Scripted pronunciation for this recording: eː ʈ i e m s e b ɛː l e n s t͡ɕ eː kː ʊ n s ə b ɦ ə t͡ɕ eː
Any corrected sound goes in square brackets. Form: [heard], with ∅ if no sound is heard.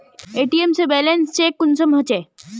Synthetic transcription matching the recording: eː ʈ i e m s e b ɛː l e n s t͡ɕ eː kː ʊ n s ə [m] ɦ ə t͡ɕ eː